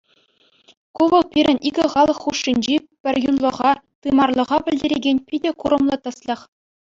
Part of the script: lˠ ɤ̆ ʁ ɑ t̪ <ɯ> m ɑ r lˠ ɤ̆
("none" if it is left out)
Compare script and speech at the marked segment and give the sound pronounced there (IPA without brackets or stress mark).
ɯ